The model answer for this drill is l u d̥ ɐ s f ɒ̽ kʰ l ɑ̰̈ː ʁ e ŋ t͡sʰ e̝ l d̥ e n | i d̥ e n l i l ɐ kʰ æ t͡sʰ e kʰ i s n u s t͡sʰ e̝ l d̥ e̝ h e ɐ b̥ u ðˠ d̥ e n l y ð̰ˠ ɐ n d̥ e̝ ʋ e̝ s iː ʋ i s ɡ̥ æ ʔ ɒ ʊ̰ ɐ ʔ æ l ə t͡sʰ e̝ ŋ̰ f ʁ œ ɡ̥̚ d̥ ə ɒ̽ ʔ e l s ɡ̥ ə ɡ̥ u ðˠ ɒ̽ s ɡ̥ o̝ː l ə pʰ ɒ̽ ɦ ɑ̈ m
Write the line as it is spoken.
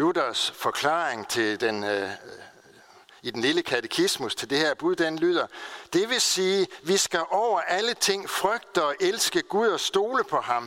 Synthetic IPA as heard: l u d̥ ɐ s f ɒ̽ kʰ l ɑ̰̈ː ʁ e ŋ t͡sʰ e̝ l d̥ e n | i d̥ e n l i l ə kʰ æ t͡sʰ e kʰ i s m u s t͡sʰ e̝ l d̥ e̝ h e ɐ b̥ u ðˠ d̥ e n l y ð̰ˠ ɐ d̥ e̝ ʋ e̝ s iː ʋ i s ɡ̥ æ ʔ ɒ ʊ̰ ɐ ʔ æ l ə t͡sʰ e̝ ŋ̰ f ʁ œ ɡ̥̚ d̥ ə ɒ̽ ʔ e l s ɡ̥ ə ɡ̥ u ðˠ ɒ̽ s d̥ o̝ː l ə pʰ ɒ̽ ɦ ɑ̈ m